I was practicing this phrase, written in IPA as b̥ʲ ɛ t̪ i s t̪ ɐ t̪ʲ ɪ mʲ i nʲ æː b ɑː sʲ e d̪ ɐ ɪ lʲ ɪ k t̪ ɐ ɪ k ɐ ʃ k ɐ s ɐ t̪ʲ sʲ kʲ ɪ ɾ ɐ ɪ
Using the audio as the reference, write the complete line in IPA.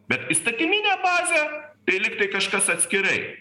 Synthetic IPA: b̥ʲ ɛ t̪ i s t̪ ɐ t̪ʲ ɪ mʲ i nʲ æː b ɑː zʲ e t̪ ɐ ɪ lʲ ɪ k t̪ ɐ ɪ k ɐ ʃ k ɐ s ɐ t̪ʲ sʲ kʲ ɪ ɾ ɐ ɪ

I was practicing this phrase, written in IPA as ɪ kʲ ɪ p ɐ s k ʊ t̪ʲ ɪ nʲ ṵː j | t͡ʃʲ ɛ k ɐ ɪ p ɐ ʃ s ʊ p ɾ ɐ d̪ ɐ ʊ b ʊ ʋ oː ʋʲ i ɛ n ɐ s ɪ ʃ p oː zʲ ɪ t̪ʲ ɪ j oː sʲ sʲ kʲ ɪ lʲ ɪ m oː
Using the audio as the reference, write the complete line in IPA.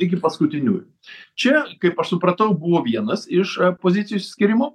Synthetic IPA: ɪ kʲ ɪ p ɐ s k ʊ t̪ʲ ɪ nʲ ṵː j | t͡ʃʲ ɛ k ɐ ɪ p ɐ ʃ s ʊ p ɾ ɐ t̪ ɐ ʊ b ʊ ʋ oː ʋʲ i ɛ n ɐ s ɪ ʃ p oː zʲ ɪ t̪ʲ ɪ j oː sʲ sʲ kʲ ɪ ɾʲ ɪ m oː

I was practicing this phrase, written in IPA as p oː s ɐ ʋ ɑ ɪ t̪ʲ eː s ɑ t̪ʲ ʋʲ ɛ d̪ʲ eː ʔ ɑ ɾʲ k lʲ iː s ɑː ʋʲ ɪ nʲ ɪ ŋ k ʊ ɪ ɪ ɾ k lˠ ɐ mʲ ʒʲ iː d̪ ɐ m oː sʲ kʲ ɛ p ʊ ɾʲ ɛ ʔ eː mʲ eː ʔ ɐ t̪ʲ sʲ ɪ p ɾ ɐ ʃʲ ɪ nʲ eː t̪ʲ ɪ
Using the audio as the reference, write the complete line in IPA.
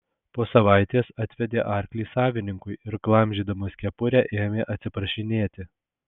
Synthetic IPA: p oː s ɐ ʋ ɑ ɪ t̪ʲ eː s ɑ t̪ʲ ʋʲ ɛ d̪ʲ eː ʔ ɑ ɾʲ k lʲ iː s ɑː ʋʲ ɪ nʲ ɪ ŋ k ʊ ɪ ɪ ɾ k lˠ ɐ mʲ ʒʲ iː d̪ ɐ m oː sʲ kʲ ɛ p ʊ ɾʲ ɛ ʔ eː mʲ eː ʔ ɐ t̪ʲ sʲ ɪ p ɾ ɐ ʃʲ ɪ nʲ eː t̪ʲ ɪ

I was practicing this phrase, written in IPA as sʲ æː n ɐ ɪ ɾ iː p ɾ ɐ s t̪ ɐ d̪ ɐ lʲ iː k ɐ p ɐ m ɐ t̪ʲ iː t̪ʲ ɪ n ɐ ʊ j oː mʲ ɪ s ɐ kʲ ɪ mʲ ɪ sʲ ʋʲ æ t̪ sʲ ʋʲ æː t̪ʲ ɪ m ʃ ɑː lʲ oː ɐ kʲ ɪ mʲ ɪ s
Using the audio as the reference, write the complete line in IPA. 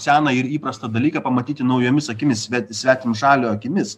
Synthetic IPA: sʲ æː n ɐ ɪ ɾ iː p ɾ ɐ s t̪ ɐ d̪ ɐ lʲ iː k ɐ p ɐ m ɐ t̪ʲ iː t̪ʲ ɪ n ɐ ʊ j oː mʲ ɪ s ɐ kʲ ɪ mʲ ɪ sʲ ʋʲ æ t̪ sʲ ʋʲ æː t̪ʲ ɪ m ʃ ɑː lʲ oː ɐ kʲ ɪ mʲ ɪ s

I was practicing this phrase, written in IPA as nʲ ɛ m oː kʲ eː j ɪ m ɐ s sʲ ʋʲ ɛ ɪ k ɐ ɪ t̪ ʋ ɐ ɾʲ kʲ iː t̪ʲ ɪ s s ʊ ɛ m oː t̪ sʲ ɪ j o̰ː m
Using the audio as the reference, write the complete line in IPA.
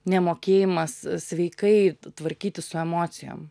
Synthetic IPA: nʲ ɛ m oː kʲ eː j ɪ m ɐ s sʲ ʋʲ ɛ ɪ k ɐ ɪ t̪ ʋ ɐ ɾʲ kʲ iː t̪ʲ ɪ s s ʊ ɛ m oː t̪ sʲ ɪ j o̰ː m

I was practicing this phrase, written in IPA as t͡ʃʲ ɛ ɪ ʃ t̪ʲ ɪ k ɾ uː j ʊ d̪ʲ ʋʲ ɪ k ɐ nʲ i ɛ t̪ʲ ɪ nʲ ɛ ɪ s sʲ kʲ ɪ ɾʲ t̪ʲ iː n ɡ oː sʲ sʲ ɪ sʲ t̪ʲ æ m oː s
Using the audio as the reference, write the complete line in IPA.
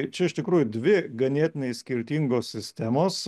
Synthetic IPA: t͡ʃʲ ɛ ɪ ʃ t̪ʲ ɪ k ɾ uː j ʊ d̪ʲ ʋʲ ɪ ɡ ɐ nʲ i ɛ t̪ʲ ɪ nʲ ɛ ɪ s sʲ kʲ ɪ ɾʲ t̪ʲ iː ŋ ɡ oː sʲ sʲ ɪ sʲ t̪ʲ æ m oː s

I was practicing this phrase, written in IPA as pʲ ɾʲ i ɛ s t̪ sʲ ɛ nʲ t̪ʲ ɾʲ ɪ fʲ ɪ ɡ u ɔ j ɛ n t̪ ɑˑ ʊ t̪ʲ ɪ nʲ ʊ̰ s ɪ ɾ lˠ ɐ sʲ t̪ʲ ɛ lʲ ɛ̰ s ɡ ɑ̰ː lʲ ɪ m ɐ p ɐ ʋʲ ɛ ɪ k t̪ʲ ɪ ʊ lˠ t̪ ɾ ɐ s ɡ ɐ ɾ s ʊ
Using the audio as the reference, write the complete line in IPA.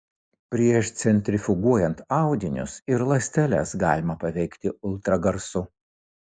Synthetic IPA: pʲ ɾʲ i ɛ ʃ t̪ sʲ ɛ nʲ t̪ʲ ɾʲ ɪ fʲ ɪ ɡ u ɔ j ɛ n t̪ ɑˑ ʊ d̪ʲ ɪ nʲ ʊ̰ s ɪ ɾ lˠ ɐ sʲ t̪ʲ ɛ lʲ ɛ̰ s ɡ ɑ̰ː lʲ ɪ m ɐ p ɐ ʋʲ ɛ ɪ k t̪ʲ ɪ ʊ lˠ t̪ ɾ ɐ ɡ ɐ ɾ s ʊ

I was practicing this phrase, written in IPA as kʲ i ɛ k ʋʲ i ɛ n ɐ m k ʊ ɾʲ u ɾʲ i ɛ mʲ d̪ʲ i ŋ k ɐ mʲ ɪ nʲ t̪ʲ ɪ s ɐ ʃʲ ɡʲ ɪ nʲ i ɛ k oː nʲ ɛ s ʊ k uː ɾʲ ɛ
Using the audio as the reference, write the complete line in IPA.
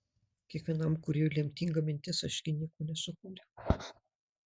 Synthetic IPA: kʲ i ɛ k ʋʲ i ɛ n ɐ m k ʊ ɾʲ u lʲ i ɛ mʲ t̪ʲ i ŋ ɡ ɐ mʲ ɪ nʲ t̪ʲ ɪ s ɐ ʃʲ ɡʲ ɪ nʲ i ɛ k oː nʲ ɛ s ʊ k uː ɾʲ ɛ

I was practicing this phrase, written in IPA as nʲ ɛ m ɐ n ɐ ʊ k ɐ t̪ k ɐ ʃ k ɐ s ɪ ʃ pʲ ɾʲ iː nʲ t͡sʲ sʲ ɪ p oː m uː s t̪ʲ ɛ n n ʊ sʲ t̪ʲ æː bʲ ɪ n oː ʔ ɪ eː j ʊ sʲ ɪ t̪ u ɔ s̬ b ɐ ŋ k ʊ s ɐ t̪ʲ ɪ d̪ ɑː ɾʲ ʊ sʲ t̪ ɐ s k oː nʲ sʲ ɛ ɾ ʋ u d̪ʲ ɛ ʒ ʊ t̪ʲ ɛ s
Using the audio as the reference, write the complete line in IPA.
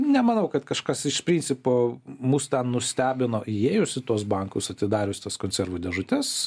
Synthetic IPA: nʲ ɛ m ɐ n ɐ ʊ k ɐ t̪ k ɐ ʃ k ɐ s ɪ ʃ pʲ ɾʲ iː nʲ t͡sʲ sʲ ɪ p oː m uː s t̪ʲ ɛ n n ʊ sʲ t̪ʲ æː bʲ ɪ n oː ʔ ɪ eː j ʊ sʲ ɪ t̪ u ɔ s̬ b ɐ ŋ k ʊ s ɐ t̪ʲ ɪ d̪ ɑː ɾʲ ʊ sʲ t̪ ɐ s k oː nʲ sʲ ɛ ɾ ʋ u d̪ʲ ɛ ʒ ʊ t̪ʲ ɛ s

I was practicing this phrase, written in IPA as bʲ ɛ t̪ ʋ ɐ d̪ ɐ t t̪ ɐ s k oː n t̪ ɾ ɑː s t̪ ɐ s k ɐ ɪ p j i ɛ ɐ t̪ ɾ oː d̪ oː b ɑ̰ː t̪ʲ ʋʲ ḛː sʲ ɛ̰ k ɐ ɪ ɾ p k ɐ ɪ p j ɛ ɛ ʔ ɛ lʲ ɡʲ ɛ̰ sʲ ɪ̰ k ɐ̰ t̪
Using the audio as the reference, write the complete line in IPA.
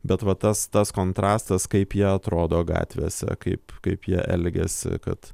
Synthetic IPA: bʲ ɛ t̪ ʋ ɐ t̪ ɐ s t̪ ɐ s k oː n t̪ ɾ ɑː s t̪ ɐ s k ɐ ɪ p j i ɛ ɐ t̪ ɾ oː d̪ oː ɡ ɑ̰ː t̪ʲ ʋʲ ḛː sʲ ɛ̰ k ɐ ɪ p k ɐ ɪ p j i ɛ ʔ ɛ lʲ ɡʲ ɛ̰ sʲ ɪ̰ k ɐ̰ t̪

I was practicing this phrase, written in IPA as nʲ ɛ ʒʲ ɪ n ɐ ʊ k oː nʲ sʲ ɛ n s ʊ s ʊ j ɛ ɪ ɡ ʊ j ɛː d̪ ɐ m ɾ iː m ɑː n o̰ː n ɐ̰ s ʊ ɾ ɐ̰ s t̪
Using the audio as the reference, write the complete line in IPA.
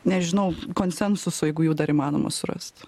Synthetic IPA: nʲ ɛ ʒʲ ɪ n ɐ ʊ k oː nʲ sʲ ɛ n s ʊ s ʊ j ɛ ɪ ɡ ʊ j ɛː d̪ ɐ ɾ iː m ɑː n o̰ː m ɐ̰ s ʊ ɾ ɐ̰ s t̪

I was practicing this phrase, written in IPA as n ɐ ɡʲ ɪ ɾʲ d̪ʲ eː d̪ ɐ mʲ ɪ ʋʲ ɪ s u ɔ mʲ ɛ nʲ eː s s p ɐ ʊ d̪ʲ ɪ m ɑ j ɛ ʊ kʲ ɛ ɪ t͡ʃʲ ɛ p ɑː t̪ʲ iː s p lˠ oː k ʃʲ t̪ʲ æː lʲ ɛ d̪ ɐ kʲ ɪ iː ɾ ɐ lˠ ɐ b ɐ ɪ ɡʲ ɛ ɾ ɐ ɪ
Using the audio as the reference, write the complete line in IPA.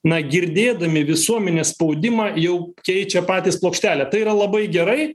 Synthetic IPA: n ɐ ɡʲ ɪ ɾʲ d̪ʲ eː d̪ ɐ mʲ ɪ ʋʲ ɪ s u ɔ mʲ ɛ nʲ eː s s p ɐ ʊ d̪ʲ ɪ m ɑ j ɛ ʊ kʲ ɛ ɪ t͡ʃʲ ɛ p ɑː t̪ʲ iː s p lˠ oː k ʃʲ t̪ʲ æː lʲ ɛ t̪ ɐ ɪ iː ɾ ɐ lˠ ɐ b ɐ ɪ ɡʲ ɛ ɾ ɐ ɪ

